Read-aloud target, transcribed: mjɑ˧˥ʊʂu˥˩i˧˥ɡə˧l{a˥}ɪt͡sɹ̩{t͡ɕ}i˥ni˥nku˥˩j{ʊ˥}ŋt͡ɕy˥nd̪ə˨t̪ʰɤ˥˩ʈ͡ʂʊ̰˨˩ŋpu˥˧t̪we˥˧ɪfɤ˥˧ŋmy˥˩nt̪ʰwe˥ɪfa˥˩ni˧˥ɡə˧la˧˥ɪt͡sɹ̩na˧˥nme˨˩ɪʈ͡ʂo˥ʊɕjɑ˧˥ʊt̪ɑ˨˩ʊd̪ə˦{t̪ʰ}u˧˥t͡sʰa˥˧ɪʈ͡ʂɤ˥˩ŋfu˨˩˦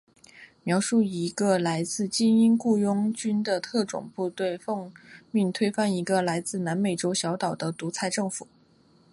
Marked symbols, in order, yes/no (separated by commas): no, yes, yes, no